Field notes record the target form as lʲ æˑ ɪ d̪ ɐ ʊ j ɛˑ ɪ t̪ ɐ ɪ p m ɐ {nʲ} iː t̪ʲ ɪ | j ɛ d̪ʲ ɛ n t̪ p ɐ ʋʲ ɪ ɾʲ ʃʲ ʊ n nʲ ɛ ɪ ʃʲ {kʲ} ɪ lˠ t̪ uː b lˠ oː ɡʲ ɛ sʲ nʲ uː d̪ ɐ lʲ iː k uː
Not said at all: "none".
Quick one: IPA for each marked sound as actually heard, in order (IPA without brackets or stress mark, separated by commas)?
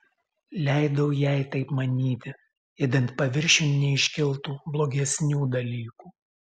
nʲ, kʲ